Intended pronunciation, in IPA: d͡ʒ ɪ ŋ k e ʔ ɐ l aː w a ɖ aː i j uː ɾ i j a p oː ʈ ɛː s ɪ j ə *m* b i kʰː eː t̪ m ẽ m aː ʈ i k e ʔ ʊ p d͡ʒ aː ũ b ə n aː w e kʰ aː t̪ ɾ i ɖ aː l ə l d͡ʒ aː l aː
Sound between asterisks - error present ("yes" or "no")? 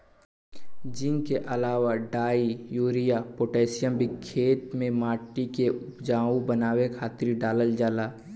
no